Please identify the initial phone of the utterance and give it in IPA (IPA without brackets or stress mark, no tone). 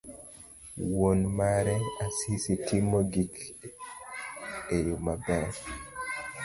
w